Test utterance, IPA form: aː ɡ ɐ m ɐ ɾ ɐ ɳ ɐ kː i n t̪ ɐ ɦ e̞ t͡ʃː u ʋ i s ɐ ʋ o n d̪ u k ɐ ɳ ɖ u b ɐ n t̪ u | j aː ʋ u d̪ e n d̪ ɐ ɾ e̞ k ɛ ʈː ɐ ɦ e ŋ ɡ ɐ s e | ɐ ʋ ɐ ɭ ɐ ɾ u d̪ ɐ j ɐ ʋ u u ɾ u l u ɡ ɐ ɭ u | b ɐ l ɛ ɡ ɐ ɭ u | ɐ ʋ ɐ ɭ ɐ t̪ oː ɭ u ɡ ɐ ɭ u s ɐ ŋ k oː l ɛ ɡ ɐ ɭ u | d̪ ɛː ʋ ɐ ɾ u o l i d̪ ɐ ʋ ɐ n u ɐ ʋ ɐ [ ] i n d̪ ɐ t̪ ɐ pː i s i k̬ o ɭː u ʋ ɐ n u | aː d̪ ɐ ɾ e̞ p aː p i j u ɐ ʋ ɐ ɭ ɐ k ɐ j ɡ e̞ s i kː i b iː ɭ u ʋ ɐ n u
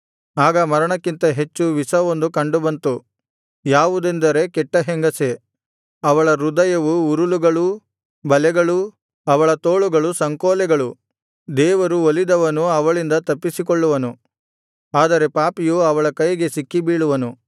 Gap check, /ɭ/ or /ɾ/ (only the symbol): ɭ